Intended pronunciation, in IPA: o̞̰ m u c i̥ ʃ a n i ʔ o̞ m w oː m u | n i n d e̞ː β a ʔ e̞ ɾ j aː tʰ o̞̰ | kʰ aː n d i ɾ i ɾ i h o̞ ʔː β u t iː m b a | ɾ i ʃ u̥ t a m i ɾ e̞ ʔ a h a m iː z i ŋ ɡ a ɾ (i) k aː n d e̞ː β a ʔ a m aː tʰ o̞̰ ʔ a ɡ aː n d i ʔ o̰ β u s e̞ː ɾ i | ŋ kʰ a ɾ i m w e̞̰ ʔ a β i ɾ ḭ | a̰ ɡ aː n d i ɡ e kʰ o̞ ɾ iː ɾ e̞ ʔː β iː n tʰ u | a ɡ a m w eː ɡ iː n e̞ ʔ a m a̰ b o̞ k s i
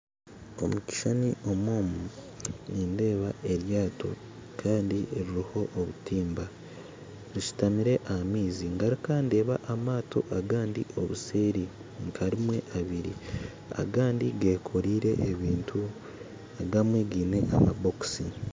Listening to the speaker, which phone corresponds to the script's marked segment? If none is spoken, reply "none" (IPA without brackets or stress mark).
i